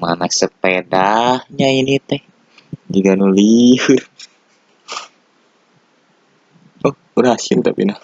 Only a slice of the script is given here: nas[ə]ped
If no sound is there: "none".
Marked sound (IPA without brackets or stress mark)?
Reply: ə